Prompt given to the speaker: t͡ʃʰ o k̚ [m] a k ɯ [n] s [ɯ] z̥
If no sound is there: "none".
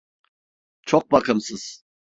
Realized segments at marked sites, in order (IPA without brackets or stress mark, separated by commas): b, m, ɯ